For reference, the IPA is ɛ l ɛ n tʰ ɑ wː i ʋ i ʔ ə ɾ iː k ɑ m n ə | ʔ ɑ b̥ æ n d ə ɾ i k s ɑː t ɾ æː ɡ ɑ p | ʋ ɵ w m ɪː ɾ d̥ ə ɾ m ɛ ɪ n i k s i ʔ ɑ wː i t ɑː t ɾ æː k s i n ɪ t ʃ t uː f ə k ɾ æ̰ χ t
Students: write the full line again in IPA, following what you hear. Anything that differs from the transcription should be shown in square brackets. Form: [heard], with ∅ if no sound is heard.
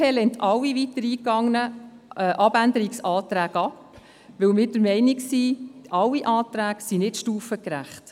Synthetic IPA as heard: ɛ l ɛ n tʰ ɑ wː i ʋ i [t] ə ɾ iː k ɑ [ŋ] n ə | ʔ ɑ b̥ æ n d ə ɾ i k s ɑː t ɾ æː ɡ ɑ p | ʋ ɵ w m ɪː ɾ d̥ ə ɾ m ɛ ɪ n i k s i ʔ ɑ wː i [ʔ] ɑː t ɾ æː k s i n ɪ t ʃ t uː f ə k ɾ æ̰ χ t